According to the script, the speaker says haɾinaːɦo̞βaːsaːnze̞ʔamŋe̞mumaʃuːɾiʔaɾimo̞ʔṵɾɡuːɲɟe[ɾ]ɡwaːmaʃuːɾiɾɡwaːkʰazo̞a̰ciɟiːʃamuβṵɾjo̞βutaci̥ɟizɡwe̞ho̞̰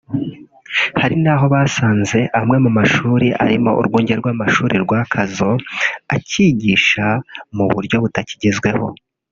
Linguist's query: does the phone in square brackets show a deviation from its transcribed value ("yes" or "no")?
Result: no